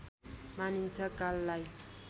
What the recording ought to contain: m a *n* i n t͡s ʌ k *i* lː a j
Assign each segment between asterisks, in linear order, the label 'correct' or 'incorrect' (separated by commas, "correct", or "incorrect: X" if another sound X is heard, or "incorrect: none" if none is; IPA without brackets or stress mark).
correct, incorrect: a